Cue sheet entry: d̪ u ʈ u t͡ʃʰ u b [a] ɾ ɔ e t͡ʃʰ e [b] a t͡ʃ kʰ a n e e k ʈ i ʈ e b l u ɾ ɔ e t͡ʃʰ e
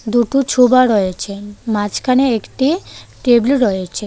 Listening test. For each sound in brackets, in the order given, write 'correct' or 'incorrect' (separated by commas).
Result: correct, incorrect